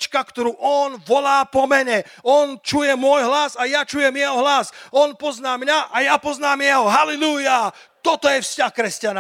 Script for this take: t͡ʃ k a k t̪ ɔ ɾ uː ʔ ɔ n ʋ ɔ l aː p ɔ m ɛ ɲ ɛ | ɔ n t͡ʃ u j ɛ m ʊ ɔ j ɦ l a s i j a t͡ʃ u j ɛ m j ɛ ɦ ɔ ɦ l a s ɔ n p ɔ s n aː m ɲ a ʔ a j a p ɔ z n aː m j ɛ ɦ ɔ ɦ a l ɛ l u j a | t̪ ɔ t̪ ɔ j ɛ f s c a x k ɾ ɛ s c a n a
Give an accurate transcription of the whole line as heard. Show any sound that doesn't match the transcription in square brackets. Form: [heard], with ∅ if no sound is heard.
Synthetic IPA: t͡ʃ k a k t̪ ɔ ɾ uː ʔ ɔ n ʋ ɔ l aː p ɔ m ɛ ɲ ɛ | ɔ n t͡ʃ u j ɛ m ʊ ɔ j ɦ l a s [a] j a t͡ʃ u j ɛ m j ɛ ɦ ɔ ɦ l a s ɔ n p ɔ [z] n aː m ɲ a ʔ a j a p ɔ z n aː m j ɛ ɦ ɔ ɦ a l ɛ l u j a | t̪ ɔ t̪ ɔ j ɛ f s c a x k ɾ ɛ s c a n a